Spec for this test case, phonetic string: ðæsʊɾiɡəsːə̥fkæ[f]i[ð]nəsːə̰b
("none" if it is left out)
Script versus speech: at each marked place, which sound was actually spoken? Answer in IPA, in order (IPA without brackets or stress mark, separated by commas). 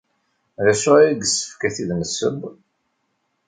θ, ð